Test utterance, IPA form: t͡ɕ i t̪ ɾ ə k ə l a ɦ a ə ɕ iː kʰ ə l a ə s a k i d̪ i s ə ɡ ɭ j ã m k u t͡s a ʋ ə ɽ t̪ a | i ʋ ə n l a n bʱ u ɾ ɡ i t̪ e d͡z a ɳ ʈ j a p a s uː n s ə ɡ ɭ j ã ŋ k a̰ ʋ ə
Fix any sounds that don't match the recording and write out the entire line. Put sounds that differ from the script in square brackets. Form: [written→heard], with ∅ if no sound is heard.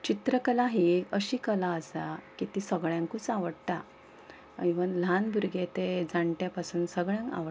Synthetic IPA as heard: t͡ɕ i t̪ ɾ ə k ə l a ɦ [a→i] ə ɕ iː [kʰ→k] ə l a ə s a k i [d̪→t̪] i s ə ɡ ɭ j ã [m→ŋ] k u t͡s a ʋ ə ɽ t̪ a | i ʋ ə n l a n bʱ u ɾ ɡ [i→e] t̪ e d͡z a ɳ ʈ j a p a s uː n s ə ɡ ɭ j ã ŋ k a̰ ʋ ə

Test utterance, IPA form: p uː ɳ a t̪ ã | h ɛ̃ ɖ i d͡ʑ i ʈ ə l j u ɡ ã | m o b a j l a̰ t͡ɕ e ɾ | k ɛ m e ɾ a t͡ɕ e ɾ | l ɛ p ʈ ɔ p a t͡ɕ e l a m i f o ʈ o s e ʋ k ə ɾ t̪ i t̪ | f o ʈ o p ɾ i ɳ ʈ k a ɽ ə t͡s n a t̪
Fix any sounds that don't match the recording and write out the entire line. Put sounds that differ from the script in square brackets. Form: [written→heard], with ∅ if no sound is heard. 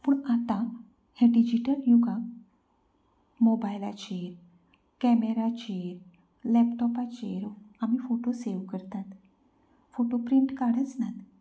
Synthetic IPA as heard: p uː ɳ a t̪ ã | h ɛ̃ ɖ i d͡ʑ i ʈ ə l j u ɡ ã | m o b a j l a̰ t͡ɕ e ɾ | k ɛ m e ɾ a t͡ɕ e ɾ | l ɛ p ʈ ɔ p a t͡ɕ e [l→ɾ] a m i f o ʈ o s e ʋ k ə ɾ t̪ [i→a] t̪ | f o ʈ o p ɾ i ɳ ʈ k a ɽ ə t͡s n a t̪

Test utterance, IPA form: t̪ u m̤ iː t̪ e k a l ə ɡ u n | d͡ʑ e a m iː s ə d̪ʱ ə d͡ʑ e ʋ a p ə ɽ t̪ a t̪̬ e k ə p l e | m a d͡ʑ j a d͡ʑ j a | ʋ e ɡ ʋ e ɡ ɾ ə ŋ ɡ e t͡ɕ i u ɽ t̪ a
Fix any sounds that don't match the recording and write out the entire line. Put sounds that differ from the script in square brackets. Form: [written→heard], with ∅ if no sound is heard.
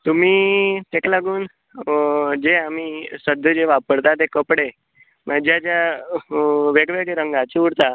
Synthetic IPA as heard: t̪ u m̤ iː t̪ e k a l [ə→a] ɡ [u→uː] n | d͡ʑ e a m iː s ə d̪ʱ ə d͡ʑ e ʋ a p ə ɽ t̪ a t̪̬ e k ə p [l→ɽ] e | m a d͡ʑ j a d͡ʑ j a | ʋ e ɡ ʋ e ɡ ɾ ə ŋ ɡ [e→a] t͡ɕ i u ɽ t̪ a

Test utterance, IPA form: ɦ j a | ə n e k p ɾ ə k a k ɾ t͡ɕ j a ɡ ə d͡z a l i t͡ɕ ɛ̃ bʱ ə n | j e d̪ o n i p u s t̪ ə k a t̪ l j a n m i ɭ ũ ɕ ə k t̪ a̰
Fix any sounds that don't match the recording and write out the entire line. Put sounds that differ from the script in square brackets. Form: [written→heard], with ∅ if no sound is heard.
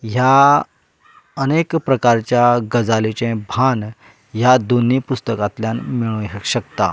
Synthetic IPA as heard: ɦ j a | ə n e k p ɾ ə k a [k→∅] ɾ t͡ɕ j a ɡ ə d͡z a l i t͡ɕ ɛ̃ bʱ [ə→a] n | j [e→a] d̪ o n i p u s t̪ ə k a t̪ l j a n m i ɭ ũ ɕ ə k t̪ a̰

